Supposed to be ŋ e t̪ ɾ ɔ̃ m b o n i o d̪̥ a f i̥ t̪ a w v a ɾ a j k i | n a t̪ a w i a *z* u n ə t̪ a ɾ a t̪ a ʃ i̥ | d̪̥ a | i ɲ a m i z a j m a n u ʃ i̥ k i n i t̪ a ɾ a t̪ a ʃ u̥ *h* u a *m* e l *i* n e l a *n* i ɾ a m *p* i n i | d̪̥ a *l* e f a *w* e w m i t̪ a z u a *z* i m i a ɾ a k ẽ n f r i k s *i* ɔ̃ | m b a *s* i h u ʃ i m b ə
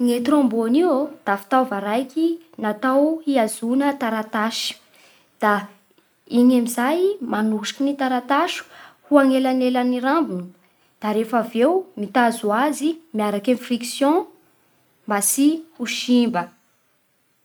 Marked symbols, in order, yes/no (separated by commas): yes, yes, no, no, yes, no, no, no, yes, no, yes